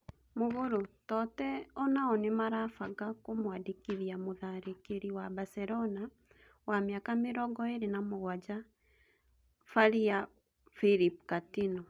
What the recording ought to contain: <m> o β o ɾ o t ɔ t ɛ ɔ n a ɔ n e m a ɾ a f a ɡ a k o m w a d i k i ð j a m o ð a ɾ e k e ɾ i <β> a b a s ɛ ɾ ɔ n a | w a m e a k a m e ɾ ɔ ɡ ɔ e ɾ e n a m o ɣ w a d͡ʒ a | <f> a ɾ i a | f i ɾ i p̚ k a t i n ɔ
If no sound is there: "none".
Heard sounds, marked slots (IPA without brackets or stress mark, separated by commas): m, w, f